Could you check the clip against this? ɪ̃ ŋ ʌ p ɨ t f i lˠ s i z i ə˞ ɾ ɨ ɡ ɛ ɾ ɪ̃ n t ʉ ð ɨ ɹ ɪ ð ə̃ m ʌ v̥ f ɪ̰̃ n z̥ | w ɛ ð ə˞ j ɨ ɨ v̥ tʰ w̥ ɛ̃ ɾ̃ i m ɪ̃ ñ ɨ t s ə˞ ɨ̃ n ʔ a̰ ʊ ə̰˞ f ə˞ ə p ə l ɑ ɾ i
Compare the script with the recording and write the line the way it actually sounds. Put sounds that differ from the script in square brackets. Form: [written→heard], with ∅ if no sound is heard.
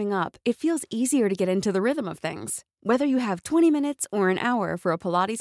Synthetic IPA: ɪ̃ ŋ ʌ p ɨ t f i lˠ [s→z] i z i ə˞ ɾ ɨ ɡ ɛ ɾ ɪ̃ n t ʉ ð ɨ ɹ ɪ ð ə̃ m ʌ v̥ [f→θ] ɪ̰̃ [n→ŋ] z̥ | w ɛ ð ə˞ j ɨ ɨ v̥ tʰ w̥ ɛ̃ ɾ̃ i m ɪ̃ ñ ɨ t s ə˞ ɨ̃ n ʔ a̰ ʊ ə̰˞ f ə˞ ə [p→pʰ] ə l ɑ ɾ i